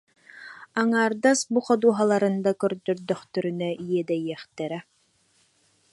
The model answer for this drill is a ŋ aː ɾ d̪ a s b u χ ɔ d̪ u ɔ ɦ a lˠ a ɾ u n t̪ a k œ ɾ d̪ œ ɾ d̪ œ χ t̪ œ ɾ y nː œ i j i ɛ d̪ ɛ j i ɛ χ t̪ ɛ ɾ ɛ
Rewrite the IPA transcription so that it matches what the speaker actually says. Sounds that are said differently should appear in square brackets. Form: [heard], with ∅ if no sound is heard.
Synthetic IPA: a ŋ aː ɾ d̪ a s b u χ ɔ d̪ u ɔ ɦ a lˠ a ɾ [ɯ] n [d̪] a k œ ɾ d̪ œ ɾ d̪ œ χ t̪ œ ɾ y [n] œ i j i ɛ d̪ ɛ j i ɛ χ t̪ ɛ ɾ ɛ